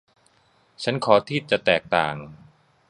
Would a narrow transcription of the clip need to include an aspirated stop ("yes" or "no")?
yes